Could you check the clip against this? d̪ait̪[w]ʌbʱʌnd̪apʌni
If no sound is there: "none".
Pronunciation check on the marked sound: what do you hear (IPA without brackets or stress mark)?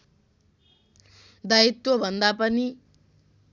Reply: w